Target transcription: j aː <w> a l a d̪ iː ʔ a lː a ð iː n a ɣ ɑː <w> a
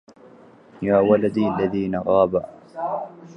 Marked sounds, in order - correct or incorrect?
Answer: correct, incorrect

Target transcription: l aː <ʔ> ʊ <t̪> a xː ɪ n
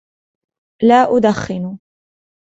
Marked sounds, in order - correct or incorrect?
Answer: correct, incorrect

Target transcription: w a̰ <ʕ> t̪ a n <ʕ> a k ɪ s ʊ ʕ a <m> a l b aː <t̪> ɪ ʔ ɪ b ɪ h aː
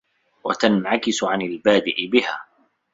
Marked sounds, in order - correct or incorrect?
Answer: incorrect, correct, incorrect, incorrect

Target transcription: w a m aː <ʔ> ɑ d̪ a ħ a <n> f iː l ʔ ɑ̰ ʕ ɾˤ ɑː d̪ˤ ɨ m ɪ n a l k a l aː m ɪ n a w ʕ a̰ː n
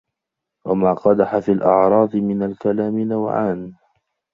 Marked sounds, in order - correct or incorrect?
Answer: incorrect, incorrect

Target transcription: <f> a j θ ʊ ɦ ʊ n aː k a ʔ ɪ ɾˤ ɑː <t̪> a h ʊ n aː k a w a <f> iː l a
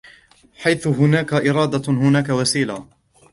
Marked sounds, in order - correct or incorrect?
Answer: incorrect, incorrect, incorrect

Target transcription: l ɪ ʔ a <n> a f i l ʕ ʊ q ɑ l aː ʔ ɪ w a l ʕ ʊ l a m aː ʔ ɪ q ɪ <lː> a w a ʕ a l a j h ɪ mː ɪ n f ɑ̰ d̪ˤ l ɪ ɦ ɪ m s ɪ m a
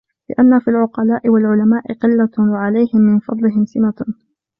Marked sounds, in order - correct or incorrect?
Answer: incorrect, correct

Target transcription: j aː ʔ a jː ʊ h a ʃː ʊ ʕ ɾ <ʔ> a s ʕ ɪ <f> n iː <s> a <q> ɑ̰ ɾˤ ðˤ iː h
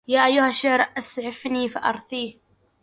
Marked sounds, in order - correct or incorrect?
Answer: correct, correct, incorrect, incorrect

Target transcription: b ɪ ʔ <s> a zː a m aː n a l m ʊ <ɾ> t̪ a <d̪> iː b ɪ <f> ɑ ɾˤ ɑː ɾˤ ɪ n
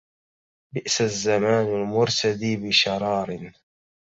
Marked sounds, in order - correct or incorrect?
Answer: correct, correct, correct, incorrect

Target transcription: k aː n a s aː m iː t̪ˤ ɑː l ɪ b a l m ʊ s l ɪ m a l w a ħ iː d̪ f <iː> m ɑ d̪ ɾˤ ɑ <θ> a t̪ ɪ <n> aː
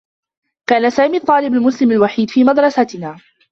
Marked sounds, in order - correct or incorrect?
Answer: correct, incorrect, correct

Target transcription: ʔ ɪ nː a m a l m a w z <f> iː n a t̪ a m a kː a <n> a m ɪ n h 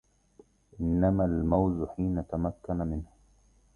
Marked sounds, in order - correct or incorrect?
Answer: incorrect, correct

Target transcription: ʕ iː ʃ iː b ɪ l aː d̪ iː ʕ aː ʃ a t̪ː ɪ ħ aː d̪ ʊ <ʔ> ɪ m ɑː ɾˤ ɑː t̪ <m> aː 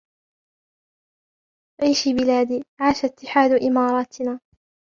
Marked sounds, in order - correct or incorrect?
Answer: correct, incorrect

